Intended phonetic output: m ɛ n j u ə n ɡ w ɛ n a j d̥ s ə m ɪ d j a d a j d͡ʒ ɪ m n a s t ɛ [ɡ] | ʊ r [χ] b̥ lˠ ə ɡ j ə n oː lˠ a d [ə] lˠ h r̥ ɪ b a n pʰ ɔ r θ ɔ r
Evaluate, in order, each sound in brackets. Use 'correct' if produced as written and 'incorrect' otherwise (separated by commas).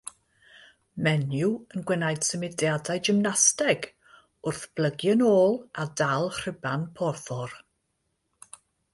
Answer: correct, incorrect, incorrect